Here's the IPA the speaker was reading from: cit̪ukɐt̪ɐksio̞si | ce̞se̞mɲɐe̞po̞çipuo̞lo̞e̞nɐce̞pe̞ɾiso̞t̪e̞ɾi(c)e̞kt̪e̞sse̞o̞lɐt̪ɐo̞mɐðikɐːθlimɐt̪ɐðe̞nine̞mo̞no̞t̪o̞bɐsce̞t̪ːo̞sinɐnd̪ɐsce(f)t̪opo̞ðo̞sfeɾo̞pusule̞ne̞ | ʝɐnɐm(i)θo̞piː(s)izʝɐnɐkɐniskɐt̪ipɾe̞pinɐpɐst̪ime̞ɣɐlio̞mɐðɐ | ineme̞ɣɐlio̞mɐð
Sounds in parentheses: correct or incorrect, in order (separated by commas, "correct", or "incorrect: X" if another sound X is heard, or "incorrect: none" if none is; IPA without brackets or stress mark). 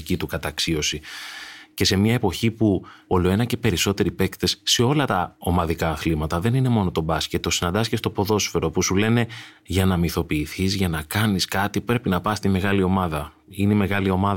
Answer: incorrect: p, incorrect: s, correct, incorrect: θ